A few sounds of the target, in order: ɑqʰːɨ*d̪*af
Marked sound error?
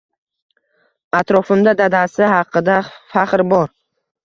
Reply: no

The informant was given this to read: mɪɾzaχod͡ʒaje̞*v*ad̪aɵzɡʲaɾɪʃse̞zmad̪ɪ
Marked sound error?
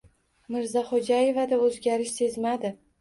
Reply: no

